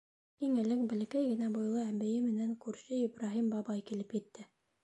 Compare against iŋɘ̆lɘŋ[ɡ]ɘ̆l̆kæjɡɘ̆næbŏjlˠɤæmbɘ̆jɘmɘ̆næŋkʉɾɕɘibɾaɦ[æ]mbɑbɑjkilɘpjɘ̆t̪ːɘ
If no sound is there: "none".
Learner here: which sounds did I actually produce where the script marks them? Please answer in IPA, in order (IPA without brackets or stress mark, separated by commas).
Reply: b, i